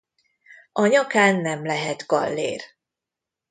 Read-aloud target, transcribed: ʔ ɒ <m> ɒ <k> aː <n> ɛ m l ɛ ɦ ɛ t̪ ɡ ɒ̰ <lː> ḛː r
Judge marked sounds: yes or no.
no, yes, no, yes

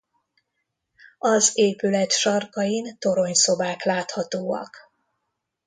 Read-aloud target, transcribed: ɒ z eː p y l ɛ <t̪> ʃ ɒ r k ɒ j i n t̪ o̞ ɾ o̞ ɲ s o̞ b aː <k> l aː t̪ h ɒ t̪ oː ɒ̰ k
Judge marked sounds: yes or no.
yes, yes

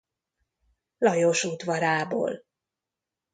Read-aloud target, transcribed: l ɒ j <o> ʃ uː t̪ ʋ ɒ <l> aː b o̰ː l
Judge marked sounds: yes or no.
yes, no

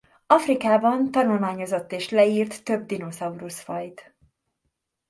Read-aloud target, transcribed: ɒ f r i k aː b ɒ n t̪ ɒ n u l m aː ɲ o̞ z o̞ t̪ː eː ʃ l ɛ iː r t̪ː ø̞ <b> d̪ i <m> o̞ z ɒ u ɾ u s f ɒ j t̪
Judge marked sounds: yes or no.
yes, no

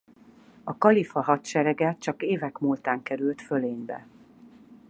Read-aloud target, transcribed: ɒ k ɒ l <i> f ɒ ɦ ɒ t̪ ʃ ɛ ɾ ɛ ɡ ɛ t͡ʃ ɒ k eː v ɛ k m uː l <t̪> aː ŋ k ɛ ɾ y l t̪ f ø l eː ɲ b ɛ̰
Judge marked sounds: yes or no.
yes, yes

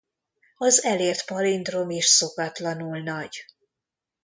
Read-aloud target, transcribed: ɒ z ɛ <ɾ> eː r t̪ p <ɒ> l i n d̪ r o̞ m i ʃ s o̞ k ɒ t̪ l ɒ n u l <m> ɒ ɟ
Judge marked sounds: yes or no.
no, yes, no

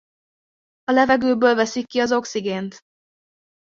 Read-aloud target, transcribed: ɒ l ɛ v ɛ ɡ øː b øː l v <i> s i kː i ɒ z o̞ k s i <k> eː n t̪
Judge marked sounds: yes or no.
no, no

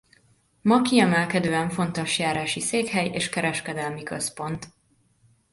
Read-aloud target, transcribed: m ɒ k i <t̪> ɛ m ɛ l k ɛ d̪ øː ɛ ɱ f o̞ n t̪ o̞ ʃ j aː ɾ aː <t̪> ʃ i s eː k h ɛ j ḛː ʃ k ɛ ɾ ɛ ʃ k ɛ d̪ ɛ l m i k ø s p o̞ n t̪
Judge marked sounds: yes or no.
no, no

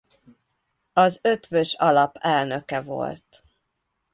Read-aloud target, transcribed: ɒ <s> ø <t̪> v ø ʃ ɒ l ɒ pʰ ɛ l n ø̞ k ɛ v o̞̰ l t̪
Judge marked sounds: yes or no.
no, yes

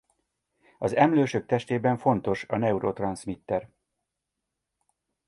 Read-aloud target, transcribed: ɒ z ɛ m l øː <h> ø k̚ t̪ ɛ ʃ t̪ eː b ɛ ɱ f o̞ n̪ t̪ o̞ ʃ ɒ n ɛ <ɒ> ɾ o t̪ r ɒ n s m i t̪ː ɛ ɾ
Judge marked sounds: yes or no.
no, no

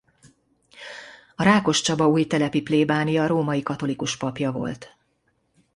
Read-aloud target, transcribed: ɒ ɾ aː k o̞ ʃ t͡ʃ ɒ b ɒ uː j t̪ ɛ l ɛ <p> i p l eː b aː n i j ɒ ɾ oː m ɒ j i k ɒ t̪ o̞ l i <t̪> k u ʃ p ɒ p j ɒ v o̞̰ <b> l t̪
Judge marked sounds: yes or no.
yes, no, no

